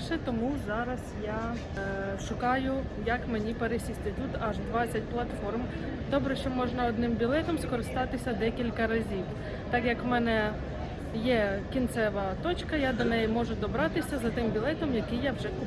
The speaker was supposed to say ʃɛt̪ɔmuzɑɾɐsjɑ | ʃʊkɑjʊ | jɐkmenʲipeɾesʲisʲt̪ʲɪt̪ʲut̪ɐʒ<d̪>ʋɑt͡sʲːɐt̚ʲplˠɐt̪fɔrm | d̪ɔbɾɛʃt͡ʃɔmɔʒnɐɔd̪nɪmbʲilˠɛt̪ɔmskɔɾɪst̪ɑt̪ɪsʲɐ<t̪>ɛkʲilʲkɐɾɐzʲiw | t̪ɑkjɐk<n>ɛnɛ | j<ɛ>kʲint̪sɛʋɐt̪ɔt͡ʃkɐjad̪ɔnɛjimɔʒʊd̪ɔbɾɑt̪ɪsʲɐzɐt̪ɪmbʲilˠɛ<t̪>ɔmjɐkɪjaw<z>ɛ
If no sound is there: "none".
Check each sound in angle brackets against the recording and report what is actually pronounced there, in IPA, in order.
d̪, d̪, m, ɛ, t̪, ʒ

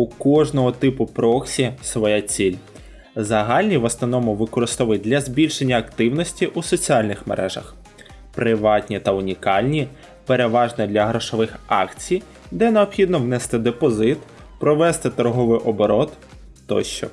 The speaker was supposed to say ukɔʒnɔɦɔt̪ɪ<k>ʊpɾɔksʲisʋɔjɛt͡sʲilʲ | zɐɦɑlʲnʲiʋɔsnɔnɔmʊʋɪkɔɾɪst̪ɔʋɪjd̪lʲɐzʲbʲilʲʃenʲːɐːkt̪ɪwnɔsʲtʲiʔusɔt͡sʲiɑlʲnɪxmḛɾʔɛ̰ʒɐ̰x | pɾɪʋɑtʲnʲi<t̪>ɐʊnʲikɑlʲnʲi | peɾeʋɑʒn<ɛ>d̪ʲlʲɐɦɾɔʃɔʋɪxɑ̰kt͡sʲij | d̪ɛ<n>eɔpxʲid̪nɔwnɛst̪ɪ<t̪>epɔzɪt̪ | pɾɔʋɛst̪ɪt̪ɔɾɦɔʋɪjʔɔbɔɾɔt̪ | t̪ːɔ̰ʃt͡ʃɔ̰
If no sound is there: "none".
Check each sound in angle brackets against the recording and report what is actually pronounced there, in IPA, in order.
p, t̪, ɛ, n, d̪

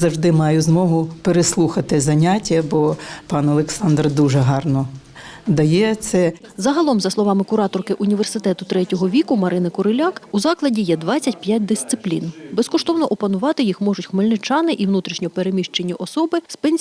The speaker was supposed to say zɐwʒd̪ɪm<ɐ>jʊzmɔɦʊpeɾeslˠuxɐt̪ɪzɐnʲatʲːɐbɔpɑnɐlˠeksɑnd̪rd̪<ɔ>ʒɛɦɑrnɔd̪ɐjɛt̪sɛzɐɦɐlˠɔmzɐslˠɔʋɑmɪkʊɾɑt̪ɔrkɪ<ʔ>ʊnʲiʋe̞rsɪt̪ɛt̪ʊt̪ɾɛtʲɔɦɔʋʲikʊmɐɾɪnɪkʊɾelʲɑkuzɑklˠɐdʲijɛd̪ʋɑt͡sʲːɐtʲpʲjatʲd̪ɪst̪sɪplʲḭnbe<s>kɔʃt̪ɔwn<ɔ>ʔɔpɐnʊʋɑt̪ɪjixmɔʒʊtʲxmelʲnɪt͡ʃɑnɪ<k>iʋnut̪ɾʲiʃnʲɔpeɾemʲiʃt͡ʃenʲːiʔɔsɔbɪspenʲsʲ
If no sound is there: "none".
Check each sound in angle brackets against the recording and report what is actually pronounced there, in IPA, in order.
ɑ, u, ʔ, s, ɔ, ʔ

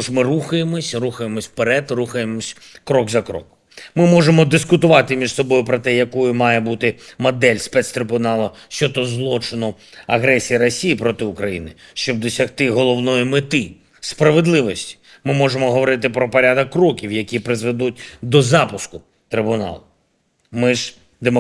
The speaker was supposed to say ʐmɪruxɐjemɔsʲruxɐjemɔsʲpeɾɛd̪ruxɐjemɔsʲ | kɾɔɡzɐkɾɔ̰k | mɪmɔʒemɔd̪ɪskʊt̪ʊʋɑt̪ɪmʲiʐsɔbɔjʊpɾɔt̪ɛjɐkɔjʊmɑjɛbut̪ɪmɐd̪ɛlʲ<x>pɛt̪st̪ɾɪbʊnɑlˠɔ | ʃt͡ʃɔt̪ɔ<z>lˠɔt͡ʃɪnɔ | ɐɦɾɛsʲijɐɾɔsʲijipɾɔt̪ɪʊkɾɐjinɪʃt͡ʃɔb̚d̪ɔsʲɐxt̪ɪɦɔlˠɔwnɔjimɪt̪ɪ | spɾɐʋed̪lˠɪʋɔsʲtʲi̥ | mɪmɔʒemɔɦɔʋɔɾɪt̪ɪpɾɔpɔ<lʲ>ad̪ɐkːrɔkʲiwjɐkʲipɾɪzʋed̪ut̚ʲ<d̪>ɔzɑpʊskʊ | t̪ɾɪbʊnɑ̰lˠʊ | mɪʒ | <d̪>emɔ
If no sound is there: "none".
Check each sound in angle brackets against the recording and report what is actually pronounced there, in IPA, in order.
s, z, ɾʲ, d̪, d̪

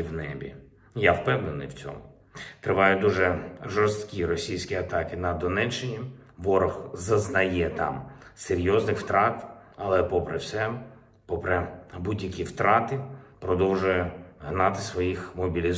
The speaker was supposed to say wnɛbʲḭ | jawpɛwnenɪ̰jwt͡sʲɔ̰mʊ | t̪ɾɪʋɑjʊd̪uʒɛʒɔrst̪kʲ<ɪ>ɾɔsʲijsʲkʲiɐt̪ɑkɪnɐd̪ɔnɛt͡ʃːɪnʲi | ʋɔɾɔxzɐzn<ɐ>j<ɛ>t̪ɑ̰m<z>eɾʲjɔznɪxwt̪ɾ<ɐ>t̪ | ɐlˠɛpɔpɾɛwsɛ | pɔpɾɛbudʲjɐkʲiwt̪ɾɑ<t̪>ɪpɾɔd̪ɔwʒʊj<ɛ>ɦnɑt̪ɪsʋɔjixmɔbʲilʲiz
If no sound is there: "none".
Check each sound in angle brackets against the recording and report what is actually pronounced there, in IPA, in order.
i, ɐ, ɛ, s, ɑ, t̪, ɛ

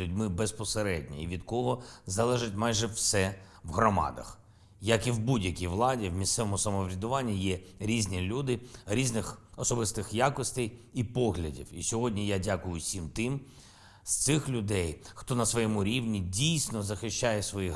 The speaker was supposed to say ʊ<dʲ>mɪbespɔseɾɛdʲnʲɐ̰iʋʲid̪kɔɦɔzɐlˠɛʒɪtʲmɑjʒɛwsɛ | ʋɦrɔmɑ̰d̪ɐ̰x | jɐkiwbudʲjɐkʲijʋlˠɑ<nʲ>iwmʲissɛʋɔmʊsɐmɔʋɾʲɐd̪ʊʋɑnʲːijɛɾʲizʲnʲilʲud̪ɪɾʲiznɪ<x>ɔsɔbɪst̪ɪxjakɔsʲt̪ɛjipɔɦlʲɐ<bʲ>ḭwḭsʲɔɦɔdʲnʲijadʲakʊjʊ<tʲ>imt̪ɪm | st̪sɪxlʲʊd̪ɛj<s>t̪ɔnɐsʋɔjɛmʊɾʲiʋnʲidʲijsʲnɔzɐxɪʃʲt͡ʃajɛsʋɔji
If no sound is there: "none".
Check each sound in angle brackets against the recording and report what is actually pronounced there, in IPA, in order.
dʲ, dʲ, x, dʲ, sʲ, x

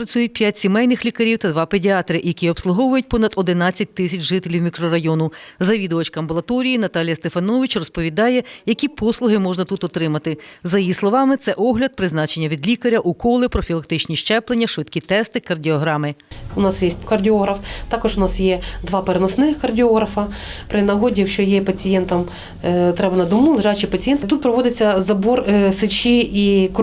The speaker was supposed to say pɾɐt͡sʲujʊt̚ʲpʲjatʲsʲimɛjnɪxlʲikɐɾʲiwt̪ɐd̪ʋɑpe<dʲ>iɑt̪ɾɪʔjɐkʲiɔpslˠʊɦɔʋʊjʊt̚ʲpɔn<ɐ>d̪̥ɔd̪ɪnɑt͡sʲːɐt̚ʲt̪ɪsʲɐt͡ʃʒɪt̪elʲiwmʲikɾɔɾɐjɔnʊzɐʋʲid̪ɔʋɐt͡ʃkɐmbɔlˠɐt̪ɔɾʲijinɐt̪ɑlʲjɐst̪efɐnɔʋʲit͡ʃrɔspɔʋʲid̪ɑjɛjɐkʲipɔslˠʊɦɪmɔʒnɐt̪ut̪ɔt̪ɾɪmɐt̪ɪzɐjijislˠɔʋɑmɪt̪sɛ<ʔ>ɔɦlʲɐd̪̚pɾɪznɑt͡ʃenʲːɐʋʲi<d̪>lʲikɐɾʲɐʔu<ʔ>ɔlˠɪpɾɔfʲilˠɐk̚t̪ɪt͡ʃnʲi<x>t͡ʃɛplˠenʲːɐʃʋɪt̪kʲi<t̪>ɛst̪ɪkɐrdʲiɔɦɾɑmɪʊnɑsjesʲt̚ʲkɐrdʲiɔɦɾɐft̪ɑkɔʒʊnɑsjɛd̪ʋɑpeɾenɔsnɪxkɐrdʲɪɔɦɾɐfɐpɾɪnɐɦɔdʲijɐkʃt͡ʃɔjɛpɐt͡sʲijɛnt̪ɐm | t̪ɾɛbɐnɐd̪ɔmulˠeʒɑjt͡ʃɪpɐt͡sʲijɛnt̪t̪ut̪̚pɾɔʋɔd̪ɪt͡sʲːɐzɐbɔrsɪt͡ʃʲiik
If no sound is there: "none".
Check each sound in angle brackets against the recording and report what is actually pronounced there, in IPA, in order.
dʲ, ɐ, ʔ, d̪, k, ʃ, t̪

